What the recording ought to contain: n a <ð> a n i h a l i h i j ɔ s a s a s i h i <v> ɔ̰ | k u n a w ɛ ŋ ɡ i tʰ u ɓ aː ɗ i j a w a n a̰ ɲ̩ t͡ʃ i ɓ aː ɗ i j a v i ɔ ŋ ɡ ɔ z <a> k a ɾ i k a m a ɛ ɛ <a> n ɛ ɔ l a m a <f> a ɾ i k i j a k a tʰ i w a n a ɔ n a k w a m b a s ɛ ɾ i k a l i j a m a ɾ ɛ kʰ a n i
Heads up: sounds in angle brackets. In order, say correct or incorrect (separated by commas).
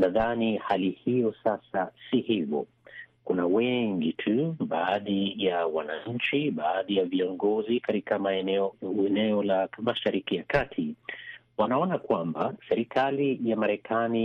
correct, correct, incorrect, incorrect, incorrect